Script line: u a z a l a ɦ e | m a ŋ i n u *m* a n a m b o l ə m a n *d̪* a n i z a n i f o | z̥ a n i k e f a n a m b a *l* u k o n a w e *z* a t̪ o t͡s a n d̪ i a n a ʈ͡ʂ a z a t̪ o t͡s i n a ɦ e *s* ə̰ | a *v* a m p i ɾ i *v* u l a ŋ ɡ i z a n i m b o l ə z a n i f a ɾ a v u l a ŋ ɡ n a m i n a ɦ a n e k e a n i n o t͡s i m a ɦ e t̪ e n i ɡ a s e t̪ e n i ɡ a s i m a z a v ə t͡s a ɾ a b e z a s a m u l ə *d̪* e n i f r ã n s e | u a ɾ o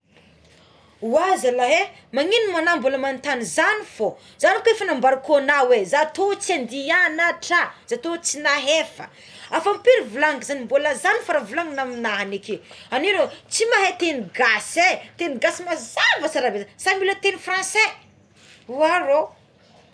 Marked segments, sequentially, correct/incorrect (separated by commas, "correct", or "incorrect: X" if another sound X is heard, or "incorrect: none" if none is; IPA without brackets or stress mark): correct, incorrect: t̪, incorrect: ɾ, correct, incorrect: f, incorrect: f, correct, incorrect: t̪